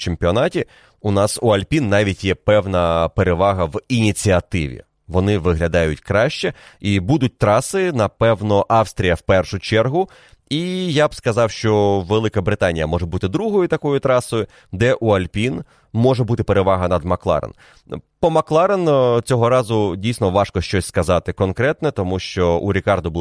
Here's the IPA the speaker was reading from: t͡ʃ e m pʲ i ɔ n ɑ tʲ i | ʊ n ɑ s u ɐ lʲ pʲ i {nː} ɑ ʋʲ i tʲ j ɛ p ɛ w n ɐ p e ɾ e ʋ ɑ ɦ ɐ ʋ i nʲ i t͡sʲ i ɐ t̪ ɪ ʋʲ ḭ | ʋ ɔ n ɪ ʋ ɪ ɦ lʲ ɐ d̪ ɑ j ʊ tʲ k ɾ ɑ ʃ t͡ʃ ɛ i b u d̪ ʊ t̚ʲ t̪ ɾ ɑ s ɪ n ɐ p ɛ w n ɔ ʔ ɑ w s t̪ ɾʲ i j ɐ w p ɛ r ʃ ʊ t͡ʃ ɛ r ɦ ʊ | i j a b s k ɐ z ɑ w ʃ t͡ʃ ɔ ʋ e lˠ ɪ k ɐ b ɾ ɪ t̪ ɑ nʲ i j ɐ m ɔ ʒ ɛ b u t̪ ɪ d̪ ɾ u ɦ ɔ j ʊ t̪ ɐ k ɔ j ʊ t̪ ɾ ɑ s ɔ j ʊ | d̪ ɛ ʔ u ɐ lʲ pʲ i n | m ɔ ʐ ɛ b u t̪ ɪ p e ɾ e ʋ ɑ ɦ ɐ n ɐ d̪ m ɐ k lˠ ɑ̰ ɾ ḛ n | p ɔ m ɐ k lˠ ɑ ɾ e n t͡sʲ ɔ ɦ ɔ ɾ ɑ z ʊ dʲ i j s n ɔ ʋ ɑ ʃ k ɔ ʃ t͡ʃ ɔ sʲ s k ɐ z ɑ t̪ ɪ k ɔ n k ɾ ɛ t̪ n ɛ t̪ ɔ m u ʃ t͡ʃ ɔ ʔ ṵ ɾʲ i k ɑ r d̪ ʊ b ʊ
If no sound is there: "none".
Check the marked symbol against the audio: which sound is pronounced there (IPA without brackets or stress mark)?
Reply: nː